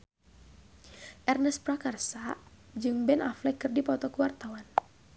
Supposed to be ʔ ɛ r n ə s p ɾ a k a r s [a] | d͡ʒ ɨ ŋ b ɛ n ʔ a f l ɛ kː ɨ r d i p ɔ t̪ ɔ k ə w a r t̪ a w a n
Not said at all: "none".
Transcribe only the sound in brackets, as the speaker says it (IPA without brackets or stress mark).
a